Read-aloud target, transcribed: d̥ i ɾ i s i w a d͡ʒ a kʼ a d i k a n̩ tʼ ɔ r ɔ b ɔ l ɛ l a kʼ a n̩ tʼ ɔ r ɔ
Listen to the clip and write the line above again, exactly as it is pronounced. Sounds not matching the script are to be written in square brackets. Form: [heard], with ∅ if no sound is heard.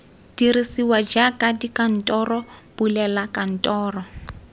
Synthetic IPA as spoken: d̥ i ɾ i s i w a d͡ʒ a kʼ a d i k a n̩ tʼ ɔ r ɔ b [u] l ɛ l a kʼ a n̩ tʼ [ɔː] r ɔ